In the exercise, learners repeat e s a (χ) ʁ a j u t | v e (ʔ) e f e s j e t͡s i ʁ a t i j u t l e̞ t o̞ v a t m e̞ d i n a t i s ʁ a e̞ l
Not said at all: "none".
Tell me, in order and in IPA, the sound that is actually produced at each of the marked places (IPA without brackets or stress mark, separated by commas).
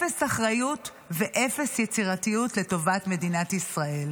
χ, ʔ